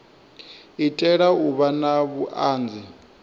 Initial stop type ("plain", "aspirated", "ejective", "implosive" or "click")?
ejective